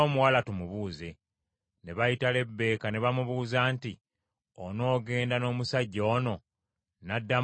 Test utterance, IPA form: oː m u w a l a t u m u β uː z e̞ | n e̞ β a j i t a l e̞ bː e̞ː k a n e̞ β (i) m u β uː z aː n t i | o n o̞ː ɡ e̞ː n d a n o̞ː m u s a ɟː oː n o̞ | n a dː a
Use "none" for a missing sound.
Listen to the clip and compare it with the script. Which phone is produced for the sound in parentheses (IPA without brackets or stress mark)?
a